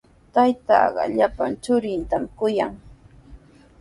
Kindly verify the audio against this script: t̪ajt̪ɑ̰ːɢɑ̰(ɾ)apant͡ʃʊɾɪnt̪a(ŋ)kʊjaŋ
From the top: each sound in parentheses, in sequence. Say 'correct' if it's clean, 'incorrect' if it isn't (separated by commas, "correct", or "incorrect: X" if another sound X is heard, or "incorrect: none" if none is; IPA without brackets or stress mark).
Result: incorrect: ʎ, incorrect: m